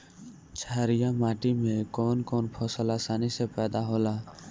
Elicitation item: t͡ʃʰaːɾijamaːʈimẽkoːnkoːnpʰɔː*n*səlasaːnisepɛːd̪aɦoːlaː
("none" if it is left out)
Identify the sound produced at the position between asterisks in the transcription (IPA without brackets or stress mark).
none